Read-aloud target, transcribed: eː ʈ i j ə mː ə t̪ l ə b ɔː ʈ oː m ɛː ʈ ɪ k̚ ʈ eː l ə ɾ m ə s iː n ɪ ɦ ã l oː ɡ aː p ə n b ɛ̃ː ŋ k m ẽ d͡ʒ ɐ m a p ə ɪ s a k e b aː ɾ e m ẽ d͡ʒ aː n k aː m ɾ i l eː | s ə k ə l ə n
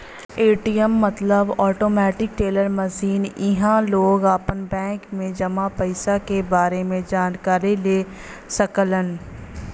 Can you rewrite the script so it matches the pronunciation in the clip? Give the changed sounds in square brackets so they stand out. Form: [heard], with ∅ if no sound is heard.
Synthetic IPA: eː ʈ i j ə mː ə t̪ l ə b ɔː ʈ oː m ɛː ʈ ɪ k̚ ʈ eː l ə ɾ m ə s iː n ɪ ɦ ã l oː ɡ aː p ə n b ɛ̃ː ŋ k m ẽ d͡ʒ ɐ m a p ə ɪ s a k e b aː ɾ e m ẽ d͡ʒ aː n k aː [∅] ɾ i l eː | s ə k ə l ə n